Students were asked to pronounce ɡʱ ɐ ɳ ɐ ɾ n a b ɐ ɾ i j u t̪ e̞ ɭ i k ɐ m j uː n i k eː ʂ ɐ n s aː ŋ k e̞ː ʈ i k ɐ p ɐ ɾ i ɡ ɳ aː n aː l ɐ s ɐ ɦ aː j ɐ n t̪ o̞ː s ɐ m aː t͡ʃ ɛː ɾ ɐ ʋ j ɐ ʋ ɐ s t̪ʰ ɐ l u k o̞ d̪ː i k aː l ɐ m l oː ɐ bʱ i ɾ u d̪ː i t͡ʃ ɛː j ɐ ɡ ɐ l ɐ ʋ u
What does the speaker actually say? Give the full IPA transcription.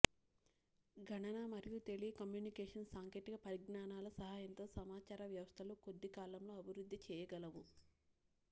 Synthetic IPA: ɡʱ ɐ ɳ ɐ n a m ɐ ɾ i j u t̪ e̞ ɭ i k ɐ m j uː n i k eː ʂ ɐ n s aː ŋ k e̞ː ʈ i k ɐ p ɐ ɾ i ɡ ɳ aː n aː l ɐ s ɐ ɦ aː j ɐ n t̪ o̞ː s ɐ m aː t͡ʃ aː ɾ ɐ ʋ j ɐ ʋ ɐ s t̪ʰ ɐ l u k o̞ d̪ː i k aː l ɐ m l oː ɐ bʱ i ɾ u d̪ː i t͡ʃ ɛː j ɐ ɡ ɐ l ɐ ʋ u